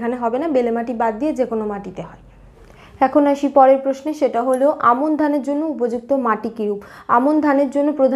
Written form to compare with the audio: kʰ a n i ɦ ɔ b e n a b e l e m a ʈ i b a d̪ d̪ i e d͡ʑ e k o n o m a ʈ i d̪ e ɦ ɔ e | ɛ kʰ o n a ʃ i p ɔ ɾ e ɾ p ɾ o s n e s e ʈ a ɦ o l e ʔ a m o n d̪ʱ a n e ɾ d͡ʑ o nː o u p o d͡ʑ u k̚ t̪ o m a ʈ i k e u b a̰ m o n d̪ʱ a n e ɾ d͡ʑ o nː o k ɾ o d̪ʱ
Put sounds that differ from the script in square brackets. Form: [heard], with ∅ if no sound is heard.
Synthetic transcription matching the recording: kʰ a n [e] ɦ ɔ b e n a b e l e m a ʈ i b a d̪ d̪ i e d͡ʑ e k o n o m a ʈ i [t̪] e ɦ ɔ e | ɛ kʰ o n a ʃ i p ɔ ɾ e ɾ p ɾ o s n e [ʃ] e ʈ a ɦ o l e ʔ a m o n d̪ʱ a n e ɾ d͡ʑ o nː o u p o d͡ʑ u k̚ t̪ o m a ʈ i k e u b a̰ m o n d̪ʱ a n e ɾ d͡ʑ o nː o [p] ɾ o d̪ʱ